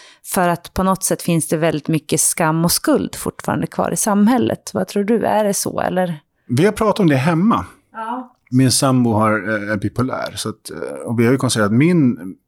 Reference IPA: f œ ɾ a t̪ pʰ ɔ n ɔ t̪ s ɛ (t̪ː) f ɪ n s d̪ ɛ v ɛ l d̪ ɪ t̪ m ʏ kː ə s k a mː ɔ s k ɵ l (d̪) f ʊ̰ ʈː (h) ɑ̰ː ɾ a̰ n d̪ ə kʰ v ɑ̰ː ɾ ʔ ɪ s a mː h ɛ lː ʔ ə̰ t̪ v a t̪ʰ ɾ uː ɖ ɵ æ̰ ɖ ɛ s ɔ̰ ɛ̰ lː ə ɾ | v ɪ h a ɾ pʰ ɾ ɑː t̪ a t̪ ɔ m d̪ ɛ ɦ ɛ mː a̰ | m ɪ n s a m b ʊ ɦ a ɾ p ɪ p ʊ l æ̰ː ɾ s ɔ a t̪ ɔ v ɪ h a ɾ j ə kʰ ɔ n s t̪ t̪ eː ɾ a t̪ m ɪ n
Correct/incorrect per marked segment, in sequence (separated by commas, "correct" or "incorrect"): correct, correct, incorrect